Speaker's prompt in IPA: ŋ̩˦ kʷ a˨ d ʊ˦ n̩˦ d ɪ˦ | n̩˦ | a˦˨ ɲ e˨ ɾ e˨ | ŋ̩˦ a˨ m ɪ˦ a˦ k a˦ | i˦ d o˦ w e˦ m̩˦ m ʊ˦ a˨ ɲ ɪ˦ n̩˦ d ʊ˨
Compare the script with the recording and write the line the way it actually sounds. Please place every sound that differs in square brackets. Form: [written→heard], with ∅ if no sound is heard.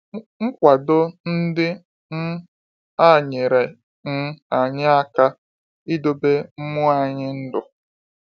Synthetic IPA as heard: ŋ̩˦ kʷ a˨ d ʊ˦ n̩˦ d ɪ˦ | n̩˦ | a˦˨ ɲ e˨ ɾ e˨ | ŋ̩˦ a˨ [m→ɲ] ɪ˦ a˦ k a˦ | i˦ d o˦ [w→b] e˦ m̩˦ m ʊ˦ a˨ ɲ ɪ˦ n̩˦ d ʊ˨